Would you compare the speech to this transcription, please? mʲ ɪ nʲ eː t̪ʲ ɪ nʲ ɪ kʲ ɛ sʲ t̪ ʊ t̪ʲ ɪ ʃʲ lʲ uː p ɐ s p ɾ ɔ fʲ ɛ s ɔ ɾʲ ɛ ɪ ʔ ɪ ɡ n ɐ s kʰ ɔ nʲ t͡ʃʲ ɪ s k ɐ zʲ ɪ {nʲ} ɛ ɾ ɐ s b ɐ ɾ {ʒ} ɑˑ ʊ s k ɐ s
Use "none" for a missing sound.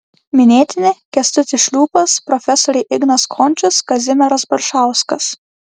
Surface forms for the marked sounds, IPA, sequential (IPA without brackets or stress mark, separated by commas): mʲ, ʃ